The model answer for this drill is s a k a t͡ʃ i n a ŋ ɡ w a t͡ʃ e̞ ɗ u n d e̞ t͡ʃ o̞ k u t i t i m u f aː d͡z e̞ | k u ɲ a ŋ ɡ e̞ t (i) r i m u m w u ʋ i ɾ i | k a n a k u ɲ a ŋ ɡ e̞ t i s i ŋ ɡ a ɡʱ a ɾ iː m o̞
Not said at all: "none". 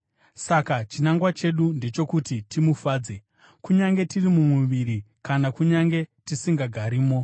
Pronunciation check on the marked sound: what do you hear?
i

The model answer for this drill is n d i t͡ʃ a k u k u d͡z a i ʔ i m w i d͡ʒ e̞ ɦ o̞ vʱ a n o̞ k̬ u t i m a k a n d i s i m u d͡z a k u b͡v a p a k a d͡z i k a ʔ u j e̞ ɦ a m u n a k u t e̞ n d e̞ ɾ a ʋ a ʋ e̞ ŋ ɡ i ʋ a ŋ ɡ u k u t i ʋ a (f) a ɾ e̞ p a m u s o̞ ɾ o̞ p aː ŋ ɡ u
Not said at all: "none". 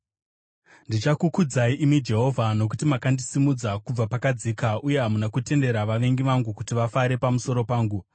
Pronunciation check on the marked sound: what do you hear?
f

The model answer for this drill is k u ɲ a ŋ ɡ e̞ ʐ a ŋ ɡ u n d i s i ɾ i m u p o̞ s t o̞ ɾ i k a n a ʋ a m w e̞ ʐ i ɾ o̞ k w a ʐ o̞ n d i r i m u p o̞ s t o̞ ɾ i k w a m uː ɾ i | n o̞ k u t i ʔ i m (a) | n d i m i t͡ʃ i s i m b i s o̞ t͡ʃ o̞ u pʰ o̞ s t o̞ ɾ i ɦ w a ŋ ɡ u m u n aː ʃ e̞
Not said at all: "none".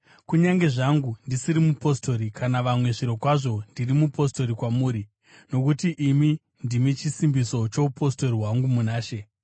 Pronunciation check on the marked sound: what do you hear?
i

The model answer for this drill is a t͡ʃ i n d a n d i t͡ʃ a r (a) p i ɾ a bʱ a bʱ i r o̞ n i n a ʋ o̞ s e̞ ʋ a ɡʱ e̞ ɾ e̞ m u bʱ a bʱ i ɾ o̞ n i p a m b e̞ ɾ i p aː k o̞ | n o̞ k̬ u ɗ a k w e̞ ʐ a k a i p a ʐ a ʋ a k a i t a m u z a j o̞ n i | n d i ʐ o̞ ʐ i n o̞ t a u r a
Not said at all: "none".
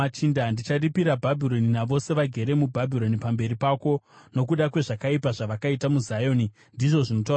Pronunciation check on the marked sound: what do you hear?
i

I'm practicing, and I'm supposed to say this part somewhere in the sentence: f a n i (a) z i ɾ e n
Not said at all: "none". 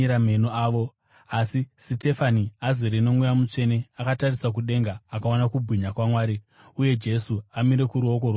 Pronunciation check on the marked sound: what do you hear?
a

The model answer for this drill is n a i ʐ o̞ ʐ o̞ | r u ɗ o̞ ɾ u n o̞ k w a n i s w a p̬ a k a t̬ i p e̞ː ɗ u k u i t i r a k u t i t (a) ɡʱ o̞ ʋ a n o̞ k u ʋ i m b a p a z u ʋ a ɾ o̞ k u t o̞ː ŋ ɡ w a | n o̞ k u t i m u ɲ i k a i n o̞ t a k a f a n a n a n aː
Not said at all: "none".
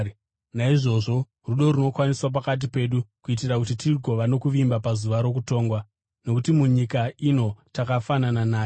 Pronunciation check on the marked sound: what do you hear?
i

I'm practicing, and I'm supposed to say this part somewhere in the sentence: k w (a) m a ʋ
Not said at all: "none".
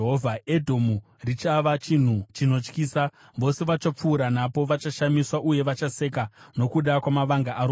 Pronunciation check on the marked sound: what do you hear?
a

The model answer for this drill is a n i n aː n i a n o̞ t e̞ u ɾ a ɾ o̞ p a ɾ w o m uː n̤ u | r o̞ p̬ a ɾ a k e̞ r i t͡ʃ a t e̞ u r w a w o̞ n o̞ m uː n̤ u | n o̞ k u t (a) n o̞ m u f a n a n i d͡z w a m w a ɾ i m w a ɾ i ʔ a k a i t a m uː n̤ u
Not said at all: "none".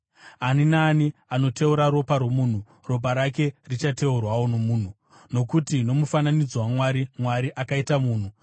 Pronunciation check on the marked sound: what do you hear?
i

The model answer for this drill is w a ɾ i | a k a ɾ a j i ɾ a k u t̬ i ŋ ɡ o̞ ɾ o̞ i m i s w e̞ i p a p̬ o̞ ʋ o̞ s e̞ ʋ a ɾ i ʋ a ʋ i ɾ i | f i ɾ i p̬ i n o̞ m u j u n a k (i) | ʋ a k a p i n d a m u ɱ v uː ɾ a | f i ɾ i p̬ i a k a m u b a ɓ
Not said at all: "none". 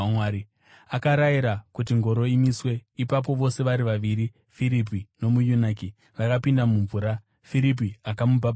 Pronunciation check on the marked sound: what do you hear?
i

